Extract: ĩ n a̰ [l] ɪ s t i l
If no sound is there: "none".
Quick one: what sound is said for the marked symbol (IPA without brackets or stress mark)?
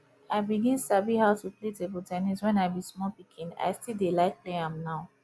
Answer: none